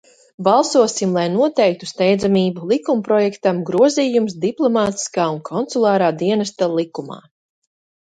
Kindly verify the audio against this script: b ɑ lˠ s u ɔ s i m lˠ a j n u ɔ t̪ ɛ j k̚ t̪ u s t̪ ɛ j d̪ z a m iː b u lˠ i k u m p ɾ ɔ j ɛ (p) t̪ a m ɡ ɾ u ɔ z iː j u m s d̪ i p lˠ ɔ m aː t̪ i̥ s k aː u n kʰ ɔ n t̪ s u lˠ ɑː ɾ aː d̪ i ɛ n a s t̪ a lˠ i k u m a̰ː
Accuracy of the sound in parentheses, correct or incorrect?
incorrect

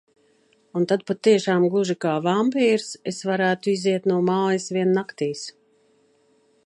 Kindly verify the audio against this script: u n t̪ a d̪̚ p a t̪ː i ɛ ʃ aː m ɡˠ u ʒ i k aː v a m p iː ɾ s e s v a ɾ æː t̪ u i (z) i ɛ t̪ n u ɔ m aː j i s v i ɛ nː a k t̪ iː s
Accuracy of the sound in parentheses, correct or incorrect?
correct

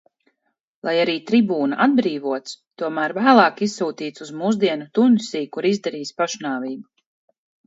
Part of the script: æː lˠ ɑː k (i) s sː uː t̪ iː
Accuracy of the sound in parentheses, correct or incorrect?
correct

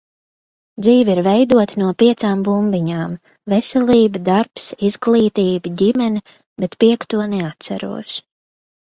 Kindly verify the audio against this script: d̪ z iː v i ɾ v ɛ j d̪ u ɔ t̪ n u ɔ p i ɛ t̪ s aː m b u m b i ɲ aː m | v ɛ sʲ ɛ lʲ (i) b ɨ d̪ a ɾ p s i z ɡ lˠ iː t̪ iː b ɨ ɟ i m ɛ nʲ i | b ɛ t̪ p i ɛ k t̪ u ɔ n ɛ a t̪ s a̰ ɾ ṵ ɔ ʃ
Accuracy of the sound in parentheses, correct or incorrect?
incorrect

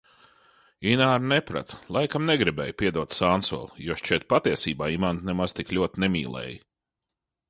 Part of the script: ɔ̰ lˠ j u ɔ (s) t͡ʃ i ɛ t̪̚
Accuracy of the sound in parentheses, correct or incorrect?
incorrect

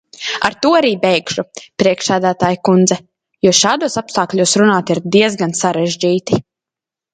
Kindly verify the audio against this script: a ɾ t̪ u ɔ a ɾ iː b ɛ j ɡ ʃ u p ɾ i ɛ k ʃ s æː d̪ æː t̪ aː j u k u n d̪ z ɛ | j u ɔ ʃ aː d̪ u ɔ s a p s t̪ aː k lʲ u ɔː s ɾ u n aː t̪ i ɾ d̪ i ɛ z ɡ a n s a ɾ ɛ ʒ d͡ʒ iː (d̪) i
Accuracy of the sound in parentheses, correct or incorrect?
incorrect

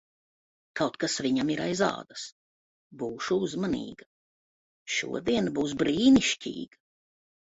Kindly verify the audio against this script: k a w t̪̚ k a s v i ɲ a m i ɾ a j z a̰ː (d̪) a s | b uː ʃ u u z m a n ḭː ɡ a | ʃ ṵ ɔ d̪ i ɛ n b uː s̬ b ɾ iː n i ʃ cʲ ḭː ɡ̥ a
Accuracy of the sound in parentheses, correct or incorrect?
correct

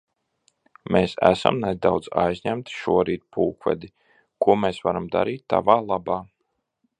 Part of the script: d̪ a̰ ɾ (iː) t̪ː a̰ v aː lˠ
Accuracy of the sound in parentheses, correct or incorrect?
correct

